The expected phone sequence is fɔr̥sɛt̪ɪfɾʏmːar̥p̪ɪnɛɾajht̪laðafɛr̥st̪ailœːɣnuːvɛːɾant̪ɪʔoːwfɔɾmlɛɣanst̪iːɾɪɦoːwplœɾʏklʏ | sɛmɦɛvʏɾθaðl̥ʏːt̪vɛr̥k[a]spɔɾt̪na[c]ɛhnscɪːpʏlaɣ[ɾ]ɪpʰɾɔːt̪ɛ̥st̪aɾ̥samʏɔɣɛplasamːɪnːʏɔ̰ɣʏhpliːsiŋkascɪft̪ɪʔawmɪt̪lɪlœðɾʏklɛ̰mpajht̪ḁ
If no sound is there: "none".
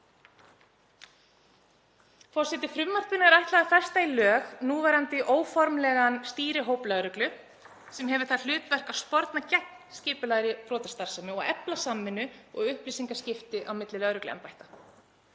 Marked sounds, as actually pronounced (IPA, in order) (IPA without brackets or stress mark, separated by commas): a, c, ɾ